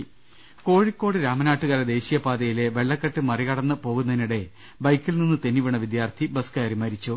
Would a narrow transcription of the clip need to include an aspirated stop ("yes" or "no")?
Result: yes